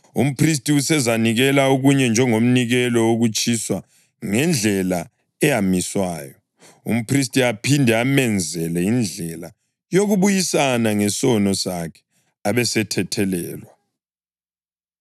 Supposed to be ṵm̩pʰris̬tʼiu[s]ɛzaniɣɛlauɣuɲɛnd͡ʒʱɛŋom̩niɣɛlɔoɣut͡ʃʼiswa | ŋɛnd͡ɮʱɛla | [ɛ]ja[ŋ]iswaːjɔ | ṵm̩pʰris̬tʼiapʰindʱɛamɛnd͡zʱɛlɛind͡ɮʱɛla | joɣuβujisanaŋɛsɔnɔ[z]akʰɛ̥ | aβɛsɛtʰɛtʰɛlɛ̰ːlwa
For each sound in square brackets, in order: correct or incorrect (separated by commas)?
correct, correct, incorrect, incorrect